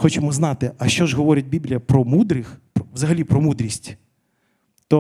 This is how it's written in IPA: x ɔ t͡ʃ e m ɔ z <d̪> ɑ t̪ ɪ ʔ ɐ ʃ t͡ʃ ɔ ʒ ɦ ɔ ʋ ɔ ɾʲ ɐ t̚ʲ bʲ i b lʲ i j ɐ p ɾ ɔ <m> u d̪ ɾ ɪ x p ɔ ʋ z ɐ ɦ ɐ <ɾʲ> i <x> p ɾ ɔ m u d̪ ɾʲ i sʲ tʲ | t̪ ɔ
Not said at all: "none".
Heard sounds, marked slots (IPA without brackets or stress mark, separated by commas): n̪, m, lʲ, none